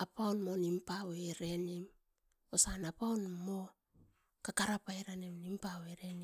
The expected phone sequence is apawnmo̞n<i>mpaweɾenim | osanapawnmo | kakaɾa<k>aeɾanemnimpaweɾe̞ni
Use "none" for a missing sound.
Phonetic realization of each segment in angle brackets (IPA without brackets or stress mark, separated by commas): i, p